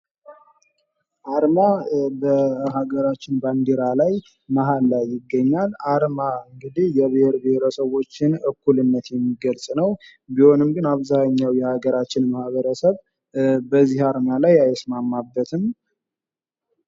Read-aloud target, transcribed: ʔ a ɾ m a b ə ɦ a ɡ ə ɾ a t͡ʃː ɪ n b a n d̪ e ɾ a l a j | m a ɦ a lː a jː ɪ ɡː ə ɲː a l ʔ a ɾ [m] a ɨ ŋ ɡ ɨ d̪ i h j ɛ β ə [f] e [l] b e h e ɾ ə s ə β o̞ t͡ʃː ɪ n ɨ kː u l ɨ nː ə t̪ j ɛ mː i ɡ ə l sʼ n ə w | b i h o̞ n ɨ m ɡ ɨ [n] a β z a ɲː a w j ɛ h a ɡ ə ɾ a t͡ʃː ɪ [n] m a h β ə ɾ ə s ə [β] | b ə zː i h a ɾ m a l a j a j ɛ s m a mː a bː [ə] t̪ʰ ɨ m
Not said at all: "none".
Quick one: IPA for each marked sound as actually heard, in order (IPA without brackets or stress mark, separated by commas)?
m, h, ɾ, n, n, β, ə